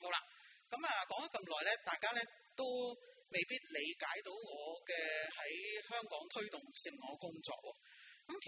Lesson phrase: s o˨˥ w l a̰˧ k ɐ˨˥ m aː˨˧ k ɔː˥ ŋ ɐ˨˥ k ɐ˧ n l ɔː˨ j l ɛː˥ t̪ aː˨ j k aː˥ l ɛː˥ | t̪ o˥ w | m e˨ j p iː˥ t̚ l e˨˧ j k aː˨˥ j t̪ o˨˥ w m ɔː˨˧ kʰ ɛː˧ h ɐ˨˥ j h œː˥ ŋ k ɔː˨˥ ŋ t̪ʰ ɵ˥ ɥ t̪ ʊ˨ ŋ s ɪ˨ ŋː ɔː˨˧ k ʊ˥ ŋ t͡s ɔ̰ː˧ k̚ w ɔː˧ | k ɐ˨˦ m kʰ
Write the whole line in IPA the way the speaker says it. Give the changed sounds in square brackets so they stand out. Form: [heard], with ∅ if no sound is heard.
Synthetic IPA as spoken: [h] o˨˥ w l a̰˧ k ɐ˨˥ m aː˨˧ k [ɔː˨˥] ŋ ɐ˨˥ k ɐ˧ [m] l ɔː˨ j l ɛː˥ t̪ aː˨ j k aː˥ l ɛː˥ | t̪ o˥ w | m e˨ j p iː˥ t̚ l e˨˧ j k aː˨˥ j t̪ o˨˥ w [ŋ] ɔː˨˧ [k] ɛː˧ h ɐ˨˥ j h œː˥ ŋ k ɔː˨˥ ŋ t̪ʰ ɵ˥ ɥ t̪ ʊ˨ ŋ s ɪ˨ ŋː ɔː˨˧ k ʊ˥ ŋ t͡s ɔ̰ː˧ k̚ w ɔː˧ | k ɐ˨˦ m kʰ